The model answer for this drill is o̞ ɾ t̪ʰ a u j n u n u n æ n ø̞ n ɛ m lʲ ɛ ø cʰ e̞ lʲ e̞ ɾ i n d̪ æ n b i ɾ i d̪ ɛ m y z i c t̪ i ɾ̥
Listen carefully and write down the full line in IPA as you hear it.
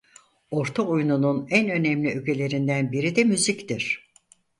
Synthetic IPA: o̞ ɾ t̪ʰ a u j n u n u n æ n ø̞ n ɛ m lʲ i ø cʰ e̞ lʲ e̞ ɾ i n d̪ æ n b i ɾ i d̪ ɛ m y z i c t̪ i ɾ̥